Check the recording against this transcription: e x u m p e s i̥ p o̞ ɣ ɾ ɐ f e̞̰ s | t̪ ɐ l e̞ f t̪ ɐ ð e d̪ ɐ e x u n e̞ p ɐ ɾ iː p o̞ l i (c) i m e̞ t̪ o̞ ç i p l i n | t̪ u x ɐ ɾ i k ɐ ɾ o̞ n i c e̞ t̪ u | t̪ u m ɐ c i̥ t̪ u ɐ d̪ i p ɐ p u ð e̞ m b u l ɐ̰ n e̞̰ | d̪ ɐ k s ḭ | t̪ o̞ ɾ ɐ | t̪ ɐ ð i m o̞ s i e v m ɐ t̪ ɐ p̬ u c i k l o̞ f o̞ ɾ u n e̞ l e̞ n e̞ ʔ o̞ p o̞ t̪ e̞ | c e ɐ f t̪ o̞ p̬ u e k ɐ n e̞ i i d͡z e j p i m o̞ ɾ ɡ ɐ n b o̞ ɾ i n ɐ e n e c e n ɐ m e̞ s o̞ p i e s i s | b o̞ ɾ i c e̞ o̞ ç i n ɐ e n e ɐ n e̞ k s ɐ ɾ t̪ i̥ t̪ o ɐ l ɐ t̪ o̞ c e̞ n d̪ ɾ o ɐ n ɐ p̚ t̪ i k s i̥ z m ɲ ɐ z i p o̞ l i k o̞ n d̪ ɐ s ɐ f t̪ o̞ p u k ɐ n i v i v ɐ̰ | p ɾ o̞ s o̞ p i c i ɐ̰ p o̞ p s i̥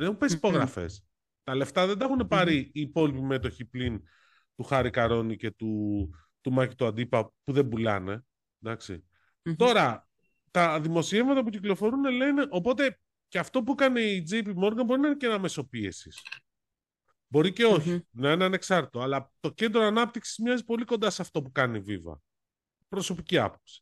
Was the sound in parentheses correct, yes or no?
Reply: no